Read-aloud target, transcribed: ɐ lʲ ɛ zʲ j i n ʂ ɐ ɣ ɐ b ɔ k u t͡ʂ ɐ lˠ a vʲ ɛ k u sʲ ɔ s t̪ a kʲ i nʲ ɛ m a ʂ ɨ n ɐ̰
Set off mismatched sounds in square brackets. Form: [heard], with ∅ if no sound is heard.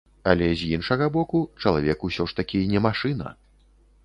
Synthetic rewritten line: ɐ lʲ ɛ zʲ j i n ʂ ɐ ɣ ɐ b ɔ k u t͡ʂ ɐ lˠ a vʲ ɛ k u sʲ ɔ [ʂ] t̪ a kʲ i nʲ ɛ m a ʂ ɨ n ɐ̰